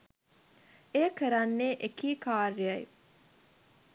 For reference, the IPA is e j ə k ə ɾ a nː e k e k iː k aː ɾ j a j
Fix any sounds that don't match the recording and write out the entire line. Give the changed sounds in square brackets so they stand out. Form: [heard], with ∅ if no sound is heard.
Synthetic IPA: e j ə k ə ɾ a nː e [ʔ] e k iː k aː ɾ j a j